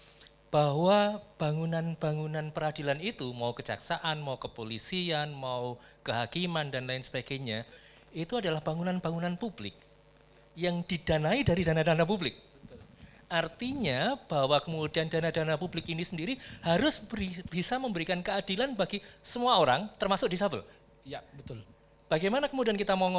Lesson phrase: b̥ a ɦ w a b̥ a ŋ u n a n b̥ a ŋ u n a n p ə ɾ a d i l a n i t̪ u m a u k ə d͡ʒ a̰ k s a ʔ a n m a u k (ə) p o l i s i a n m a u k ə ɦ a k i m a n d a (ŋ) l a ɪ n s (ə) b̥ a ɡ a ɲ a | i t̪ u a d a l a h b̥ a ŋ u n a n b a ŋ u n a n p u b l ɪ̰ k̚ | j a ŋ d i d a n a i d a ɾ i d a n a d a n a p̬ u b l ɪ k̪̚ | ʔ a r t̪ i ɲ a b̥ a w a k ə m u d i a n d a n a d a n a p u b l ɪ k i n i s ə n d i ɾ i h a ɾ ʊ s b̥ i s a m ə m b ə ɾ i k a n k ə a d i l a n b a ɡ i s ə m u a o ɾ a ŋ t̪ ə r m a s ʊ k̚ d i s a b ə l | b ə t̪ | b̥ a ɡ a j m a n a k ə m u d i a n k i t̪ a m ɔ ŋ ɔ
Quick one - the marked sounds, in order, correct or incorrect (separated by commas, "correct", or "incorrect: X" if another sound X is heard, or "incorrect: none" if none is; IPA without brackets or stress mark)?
correct, incorrect: n, correct